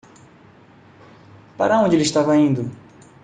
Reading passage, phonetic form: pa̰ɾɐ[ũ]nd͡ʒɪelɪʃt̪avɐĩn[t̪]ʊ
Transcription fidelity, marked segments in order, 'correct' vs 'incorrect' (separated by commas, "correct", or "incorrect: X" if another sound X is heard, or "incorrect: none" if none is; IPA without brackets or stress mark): incorrect: õ, incorrect: d̪